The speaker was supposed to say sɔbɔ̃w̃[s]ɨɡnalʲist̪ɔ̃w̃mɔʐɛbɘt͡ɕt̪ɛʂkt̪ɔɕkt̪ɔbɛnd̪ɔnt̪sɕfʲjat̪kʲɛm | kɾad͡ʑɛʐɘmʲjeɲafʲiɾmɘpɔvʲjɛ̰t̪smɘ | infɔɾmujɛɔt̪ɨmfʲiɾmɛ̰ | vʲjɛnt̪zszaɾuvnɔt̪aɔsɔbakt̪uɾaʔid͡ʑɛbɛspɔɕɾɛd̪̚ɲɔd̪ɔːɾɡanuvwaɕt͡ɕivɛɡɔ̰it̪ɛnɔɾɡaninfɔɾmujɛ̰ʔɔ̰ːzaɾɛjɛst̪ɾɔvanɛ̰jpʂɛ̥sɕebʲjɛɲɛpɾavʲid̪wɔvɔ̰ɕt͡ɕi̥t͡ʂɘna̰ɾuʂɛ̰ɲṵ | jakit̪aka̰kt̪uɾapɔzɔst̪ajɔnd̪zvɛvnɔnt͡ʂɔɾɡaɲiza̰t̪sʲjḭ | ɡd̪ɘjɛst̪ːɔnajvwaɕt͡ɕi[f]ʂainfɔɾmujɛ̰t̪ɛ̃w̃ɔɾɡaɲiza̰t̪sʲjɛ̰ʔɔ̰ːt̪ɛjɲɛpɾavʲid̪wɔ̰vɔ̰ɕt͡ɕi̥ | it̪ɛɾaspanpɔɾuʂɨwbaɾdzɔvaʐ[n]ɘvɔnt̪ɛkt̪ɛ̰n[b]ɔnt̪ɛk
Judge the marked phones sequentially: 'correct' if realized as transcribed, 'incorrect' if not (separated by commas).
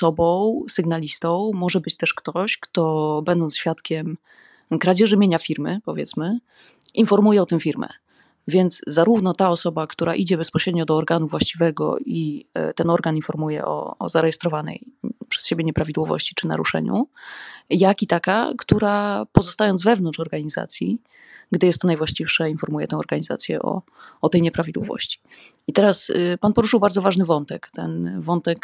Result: correct, correct, correct, incorrect